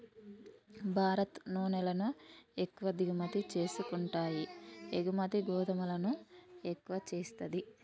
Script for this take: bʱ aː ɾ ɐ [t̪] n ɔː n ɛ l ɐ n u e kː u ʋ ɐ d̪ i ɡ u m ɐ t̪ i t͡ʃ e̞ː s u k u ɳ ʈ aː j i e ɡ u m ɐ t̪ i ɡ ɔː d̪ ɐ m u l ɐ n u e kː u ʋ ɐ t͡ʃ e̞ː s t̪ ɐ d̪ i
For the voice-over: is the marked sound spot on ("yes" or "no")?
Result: yes